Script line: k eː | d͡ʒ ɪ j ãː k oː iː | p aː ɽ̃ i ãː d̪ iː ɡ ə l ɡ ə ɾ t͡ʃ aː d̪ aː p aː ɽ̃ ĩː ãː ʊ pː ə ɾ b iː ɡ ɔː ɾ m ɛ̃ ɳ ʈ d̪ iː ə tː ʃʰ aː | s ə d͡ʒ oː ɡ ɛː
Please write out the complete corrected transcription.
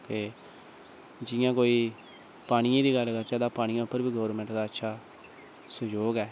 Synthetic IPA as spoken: k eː | d͡ʒ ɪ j ãː k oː iː | p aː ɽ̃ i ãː d̪ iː ɡ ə l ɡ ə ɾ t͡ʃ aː d̪ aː p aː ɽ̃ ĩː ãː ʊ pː ə ɾ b iː ɡ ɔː ɾ m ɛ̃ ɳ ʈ d̪ aː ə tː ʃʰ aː | s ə d͡ʒ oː ɡ ɛː